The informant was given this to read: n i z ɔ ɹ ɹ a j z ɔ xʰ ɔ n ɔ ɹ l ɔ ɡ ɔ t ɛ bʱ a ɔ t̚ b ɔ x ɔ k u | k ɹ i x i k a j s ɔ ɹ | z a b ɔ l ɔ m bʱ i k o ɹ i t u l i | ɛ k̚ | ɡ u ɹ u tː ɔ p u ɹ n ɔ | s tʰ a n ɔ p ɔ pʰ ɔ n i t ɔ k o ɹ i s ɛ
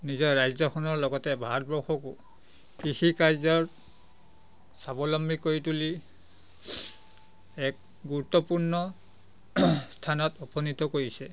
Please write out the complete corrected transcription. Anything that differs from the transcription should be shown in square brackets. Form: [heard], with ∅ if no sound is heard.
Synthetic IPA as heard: n i z ɔ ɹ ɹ a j z ɔ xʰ ɔ n ɔ ɹ l ɔ ɡ ɔ t ɛ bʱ a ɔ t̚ b ɔ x ɔ k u | k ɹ i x i k a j [z] ɔ ɹ | [s] a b ɔ l ɔ m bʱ i k o ɹ i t u l i | ɛ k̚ | ɡ u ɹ u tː ɔ p u ɹ n ɔ | s tʰ a n ɔ [t] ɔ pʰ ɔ n i t ɔ k o ɹ i s ɛ